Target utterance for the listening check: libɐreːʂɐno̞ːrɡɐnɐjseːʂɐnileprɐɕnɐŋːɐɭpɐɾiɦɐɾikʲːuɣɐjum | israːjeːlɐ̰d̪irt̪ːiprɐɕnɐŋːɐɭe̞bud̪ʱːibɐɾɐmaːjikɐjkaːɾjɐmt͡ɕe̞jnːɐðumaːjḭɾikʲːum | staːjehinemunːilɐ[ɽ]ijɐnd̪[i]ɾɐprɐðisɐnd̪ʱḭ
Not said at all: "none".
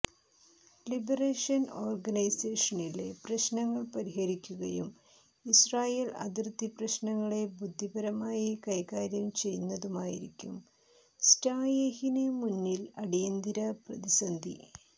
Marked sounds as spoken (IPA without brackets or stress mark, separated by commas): ɽ, i